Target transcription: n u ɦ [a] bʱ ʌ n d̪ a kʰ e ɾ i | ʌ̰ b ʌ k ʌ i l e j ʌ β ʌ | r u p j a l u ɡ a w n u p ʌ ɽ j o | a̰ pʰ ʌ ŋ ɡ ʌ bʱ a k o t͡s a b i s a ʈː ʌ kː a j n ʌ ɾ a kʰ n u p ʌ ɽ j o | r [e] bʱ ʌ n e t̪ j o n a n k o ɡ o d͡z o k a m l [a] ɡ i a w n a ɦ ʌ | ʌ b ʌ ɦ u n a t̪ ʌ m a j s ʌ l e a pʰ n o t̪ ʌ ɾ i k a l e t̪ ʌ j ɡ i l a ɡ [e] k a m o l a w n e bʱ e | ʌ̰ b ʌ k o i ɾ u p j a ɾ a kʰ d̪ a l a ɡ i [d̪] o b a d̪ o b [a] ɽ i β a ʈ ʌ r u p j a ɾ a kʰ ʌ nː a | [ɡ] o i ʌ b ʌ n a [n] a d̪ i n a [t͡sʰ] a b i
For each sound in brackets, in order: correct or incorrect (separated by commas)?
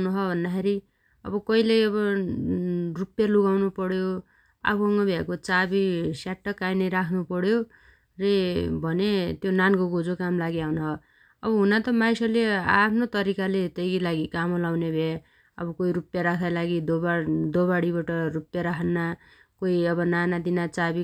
incorrect, correct, correct, incorrect, correct, correct, incorrect, correct, incorrect